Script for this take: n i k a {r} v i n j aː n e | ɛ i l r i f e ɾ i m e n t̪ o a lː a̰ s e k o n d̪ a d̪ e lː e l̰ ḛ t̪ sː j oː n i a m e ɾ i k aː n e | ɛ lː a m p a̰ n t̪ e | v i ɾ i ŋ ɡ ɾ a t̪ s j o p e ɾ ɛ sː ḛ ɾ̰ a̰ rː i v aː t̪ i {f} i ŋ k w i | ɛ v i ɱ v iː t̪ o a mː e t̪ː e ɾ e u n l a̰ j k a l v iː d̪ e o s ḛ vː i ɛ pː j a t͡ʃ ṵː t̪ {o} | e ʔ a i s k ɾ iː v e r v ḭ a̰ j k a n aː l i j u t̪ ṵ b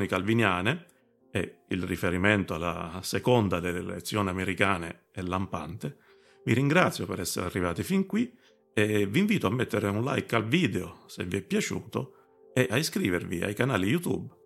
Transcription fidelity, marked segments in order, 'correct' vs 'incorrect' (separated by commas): incorrect, correct, correct